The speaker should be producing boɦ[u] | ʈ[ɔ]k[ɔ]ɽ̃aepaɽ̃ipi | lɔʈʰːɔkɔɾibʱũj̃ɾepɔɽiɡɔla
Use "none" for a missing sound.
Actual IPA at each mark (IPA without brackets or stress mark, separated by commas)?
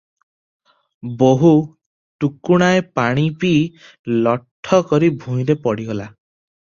u, u, u